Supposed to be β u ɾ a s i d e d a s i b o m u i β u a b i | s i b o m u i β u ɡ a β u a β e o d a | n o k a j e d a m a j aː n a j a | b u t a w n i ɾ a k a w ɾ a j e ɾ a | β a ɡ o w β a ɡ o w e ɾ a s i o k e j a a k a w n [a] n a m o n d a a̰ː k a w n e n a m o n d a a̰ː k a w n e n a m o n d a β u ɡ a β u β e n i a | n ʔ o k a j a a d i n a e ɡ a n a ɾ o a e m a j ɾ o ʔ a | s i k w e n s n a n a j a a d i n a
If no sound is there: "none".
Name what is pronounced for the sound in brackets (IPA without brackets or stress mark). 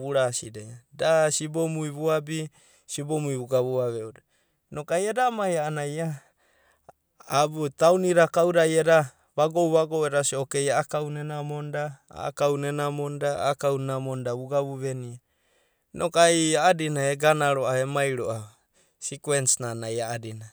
e